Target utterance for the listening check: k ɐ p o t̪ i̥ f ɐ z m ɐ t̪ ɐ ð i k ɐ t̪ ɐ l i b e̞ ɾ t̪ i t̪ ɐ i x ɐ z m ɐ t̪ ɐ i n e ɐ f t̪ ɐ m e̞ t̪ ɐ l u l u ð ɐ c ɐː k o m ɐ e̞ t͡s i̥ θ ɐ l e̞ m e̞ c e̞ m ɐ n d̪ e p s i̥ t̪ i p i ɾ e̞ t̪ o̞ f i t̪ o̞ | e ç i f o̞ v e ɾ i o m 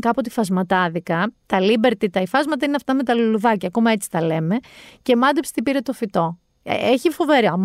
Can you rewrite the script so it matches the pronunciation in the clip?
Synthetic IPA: k ɐ p o t̪ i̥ f ɐ z m ɐ t̪ ɐ ð i k ɐ t̪ ɐ l i b e̞ ɾ t̪ i t̪ ɐ i f ɐ z m ɐ t̪ ɐ i n e ɐ f t̪ ɐ m e̞ t̪ ɐ l u l u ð ɐ c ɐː k o m ɐ e̞ t͡s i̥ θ ɐ l e̞ m e̞ c e̞ m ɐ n d̪ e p s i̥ t̪ i p i ɾ e̞ t̪ o̞ f i t̪ o̞ | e ç i f o̞ v e ɾ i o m